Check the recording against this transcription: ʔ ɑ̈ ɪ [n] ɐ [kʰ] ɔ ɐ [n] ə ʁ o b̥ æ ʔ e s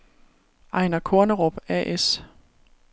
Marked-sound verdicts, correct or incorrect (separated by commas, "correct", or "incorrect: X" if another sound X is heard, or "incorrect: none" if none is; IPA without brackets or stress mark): correct, correct, correct